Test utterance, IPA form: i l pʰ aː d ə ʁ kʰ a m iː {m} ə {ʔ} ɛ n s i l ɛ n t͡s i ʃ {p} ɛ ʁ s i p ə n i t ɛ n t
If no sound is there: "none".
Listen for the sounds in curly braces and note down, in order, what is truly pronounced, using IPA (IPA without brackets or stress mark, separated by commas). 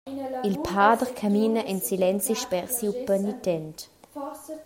n, ʔ, p